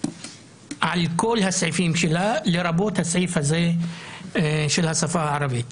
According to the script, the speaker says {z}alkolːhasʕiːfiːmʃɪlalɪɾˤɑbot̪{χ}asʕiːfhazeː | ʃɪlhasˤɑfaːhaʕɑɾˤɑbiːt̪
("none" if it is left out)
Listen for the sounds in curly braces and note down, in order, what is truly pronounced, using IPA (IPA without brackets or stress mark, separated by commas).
ʕ, h